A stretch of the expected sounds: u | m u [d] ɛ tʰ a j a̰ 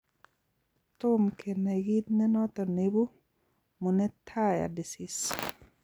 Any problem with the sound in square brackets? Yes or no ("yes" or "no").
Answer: yes